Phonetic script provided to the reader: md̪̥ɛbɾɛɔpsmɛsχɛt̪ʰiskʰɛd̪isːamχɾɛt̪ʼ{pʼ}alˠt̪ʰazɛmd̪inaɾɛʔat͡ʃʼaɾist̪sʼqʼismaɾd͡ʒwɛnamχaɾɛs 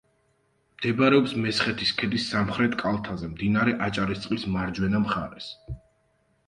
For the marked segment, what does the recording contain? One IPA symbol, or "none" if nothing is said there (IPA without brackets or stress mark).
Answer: kʼ